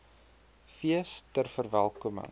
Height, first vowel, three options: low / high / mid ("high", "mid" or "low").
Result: high